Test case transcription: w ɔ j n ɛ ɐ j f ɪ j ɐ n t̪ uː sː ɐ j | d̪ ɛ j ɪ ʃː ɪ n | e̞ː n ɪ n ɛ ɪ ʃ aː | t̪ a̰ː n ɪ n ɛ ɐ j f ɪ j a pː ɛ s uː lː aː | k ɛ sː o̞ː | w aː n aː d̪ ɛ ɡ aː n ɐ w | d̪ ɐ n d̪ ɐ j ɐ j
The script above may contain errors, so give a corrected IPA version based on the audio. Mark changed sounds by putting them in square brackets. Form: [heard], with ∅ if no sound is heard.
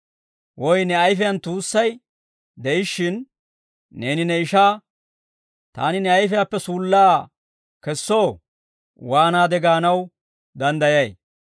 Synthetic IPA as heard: w ɔ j n ɛ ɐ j f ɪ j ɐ n t̪ uː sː ɐ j | d̪ ɛ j ɪ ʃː ɪ [nː] | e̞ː n ɪ n ɛ ɪ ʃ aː | t̪ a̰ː n ɪ n ɛ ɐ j f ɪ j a pː ɛ s uː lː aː | k ɛ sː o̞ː | w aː n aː d̪ ɛ ɡ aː n ɐ w | d̪ ɐ n d̪ ɐ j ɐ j